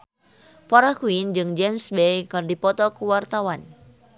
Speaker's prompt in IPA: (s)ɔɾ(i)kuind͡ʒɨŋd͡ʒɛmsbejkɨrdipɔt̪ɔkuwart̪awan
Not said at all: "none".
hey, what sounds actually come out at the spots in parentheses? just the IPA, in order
f, a

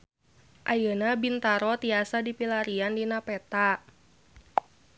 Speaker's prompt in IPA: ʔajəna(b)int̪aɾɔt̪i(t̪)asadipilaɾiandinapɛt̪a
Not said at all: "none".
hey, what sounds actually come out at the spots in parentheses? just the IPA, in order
b, none

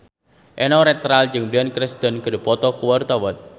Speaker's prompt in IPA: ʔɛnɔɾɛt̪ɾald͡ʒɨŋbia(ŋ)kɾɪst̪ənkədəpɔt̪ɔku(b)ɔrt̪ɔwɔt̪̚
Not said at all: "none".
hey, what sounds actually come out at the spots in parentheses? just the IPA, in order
n, w

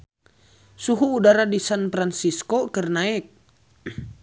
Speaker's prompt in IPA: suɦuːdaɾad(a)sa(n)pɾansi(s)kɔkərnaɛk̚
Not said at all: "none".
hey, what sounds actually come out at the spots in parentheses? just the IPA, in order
i, n, s

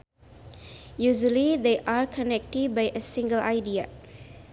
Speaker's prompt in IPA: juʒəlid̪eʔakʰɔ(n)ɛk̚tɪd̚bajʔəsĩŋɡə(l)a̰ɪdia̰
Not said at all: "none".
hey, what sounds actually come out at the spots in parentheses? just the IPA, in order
n, l

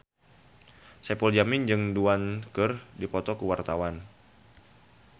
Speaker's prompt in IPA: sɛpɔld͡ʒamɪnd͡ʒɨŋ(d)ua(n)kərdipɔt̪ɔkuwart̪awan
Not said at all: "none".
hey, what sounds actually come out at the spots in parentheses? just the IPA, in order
d, n

